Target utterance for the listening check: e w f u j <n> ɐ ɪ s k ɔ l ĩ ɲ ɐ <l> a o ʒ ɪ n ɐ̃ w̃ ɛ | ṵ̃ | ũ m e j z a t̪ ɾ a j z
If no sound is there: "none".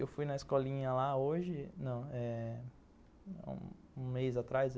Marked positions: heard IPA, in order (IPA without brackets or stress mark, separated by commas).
n, l